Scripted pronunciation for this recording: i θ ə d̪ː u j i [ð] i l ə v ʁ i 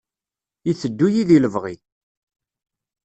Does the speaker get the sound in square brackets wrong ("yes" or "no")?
no